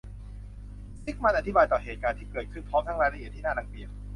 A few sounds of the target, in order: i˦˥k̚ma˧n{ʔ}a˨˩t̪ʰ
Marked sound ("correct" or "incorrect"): correct